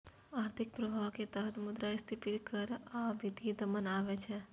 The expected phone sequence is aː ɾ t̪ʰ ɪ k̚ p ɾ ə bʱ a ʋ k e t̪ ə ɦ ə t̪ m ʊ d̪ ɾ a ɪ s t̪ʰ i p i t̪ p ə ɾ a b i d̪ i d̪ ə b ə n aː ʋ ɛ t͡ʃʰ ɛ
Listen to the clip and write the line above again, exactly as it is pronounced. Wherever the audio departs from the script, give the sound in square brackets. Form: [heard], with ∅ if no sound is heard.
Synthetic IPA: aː ɾ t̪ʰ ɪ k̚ p ɾ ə bʱ a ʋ k e t̪ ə ɦ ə t̪ m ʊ d̪ ɾ a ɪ s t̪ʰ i p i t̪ [k] ə ɾ a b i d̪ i d̪ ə [m] ə n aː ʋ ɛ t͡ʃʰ ɛ

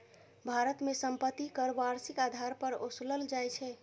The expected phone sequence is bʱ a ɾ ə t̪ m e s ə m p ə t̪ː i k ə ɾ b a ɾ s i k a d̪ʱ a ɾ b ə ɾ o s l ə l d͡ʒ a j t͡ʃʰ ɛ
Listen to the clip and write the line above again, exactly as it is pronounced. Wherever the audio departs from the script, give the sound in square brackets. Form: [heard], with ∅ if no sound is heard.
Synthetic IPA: bʱ a ɾ ə t̪ m e s ə m p ə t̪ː i k ə ɾ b a ɾ s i k a d̪ʱ a ɾ [p] ə ɾ o s l ə l d͡ʒ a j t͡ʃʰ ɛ

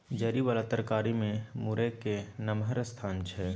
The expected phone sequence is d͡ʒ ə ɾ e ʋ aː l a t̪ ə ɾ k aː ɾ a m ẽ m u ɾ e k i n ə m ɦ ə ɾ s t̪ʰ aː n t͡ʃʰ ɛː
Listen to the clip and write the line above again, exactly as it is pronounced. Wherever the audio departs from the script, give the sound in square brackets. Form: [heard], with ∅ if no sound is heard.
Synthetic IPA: d͡ʒ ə ɾ [i] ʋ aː l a t̪ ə ɾ k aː ɾ [i] m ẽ m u ɾ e k [e] n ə m ɦ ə ɾ s t̪ʰ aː n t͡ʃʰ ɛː

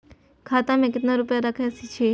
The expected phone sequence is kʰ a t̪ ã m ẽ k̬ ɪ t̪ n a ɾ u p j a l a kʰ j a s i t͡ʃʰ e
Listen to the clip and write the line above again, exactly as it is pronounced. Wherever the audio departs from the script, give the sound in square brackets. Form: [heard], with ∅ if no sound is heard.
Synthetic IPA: kʰ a t̪ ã m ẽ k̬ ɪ t̪ n a ɾ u p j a [ɾ] a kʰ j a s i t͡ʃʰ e

